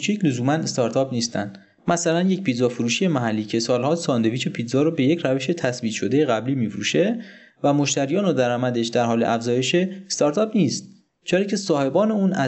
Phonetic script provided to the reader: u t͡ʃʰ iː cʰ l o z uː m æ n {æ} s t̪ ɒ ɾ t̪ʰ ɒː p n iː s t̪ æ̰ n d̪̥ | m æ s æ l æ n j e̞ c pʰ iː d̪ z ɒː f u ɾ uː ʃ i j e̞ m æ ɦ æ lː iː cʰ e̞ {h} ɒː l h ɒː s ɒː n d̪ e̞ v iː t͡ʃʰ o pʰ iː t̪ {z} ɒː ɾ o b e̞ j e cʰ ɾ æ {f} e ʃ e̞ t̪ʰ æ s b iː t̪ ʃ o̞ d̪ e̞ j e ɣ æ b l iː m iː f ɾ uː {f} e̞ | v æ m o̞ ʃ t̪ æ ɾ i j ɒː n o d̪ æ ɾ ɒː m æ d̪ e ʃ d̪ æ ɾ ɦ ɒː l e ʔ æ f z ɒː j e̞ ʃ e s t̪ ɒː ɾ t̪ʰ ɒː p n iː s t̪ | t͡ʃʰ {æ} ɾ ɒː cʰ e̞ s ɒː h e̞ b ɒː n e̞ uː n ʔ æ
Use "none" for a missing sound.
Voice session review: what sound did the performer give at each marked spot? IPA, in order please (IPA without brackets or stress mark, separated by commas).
e, s, z, v, ʃ, e